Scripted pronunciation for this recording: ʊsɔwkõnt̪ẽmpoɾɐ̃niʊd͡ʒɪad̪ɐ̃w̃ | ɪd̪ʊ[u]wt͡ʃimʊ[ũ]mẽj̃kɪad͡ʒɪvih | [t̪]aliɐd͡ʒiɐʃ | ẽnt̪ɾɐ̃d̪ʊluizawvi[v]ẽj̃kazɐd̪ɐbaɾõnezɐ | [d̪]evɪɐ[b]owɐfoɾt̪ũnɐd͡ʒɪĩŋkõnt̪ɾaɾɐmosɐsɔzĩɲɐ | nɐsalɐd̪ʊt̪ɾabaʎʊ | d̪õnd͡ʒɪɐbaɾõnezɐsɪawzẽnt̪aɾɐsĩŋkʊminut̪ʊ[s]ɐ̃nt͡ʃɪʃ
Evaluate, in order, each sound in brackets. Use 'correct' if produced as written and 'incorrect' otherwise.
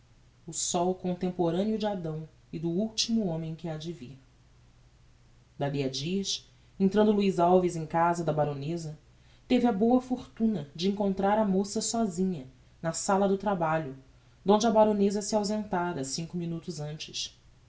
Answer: correct, incorrect: õ, incorrect: d̪, incorrect: z, incorrect: t̪, correct, incorrect: z

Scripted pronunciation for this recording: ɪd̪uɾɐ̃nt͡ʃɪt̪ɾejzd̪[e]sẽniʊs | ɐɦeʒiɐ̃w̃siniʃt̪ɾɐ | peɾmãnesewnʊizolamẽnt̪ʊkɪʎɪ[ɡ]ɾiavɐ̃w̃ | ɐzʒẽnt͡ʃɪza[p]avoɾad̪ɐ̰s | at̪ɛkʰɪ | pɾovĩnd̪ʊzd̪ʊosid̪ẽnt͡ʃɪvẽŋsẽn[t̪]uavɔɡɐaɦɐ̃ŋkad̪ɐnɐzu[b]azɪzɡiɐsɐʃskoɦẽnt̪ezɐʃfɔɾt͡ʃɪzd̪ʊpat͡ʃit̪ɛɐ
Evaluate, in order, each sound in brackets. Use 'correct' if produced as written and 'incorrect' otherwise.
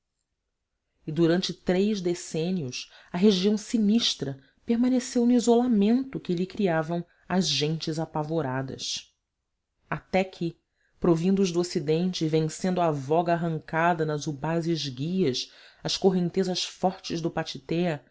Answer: correct, incorrect: k, correct, incorrect: d̪, correct

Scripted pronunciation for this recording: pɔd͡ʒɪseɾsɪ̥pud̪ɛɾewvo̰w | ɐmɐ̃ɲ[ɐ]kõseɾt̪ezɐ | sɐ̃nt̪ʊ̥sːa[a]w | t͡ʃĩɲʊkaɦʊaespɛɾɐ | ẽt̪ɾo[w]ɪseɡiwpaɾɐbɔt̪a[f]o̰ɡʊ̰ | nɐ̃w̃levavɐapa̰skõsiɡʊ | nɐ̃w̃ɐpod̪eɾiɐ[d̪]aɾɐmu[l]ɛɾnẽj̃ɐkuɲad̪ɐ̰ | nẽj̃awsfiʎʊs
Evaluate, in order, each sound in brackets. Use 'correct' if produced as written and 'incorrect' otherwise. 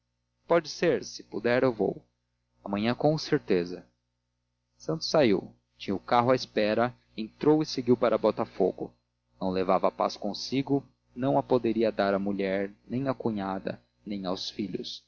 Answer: incorrect: ɐ̃, incorrect: i, correct, correct, correct, incorrect: ʎ

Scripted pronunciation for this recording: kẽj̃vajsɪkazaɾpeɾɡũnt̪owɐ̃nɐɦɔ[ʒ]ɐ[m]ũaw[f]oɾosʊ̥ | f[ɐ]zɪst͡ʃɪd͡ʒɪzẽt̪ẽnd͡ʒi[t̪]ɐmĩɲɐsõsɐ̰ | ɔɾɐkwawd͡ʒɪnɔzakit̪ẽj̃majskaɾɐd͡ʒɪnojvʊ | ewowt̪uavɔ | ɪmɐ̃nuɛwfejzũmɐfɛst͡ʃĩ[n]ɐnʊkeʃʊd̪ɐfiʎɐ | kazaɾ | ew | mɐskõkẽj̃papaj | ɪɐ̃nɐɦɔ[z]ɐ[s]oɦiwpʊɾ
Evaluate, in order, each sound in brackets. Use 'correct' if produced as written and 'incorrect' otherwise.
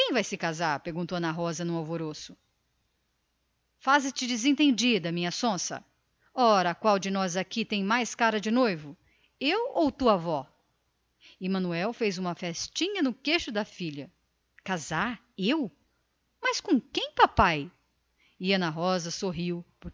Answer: incorrect: z, incorrect: n, incorrect: v, incorrect: a, incorrect: d̪, incorrect: ɲ, correct, correct

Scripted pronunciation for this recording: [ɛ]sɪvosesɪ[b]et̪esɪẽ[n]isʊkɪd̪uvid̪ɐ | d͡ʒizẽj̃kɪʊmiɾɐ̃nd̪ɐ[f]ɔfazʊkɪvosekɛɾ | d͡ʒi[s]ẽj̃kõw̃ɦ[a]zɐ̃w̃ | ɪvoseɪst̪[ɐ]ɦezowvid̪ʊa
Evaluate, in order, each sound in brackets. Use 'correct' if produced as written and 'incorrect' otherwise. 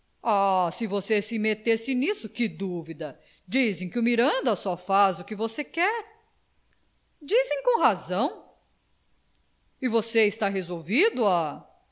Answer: incorrect: a, incorrect: m, correct, incorrect: s, incorrect: z, correct, incorrect: a

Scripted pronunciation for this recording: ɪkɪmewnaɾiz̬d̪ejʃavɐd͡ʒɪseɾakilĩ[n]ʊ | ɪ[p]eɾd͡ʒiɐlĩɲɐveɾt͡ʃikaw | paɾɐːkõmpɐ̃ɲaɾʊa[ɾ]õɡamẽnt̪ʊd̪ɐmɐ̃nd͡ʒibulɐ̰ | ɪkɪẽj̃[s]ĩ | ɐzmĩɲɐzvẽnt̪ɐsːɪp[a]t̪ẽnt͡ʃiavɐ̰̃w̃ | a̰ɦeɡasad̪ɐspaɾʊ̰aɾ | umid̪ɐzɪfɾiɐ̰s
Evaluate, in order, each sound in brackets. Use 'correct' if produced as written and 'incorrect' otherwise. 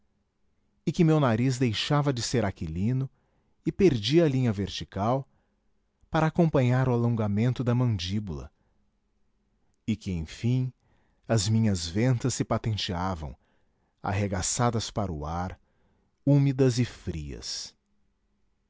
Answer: correct, correct, incorrect: l, incorrect: f, correct

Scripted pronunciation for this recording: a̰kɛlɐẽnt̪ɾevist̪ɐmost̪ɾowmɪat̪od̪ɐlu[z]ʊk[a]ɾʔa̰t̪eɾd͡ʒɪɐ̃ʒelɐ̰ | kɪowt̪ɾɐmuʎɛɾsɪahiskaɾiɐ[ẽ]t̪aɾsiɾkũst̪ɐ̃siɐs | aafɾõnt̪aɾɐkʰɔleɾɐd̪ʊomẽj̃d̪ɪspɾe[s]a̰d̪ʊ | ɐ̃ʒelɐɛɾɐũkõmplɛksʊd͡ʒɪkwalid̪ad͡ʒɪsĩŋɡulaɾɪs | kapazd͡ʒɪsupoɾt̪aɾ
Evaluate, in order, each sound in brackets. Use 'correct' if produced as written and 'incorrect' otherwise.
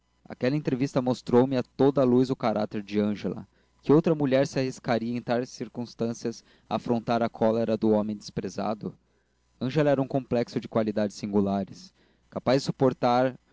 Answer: correct, correct, correct, incorrect: z

